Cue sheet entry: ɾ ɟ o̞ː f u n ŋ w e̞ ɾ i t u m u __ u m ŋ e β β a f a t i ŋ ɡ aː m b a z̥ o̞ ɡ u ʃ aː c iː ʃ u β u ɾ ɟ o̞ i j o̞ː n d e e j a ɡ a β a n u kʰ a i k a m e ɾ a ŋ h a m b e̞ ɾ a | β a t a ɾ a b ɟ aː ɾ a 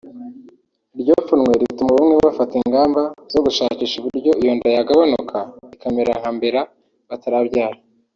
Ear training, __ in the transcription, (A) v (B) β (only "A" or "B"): B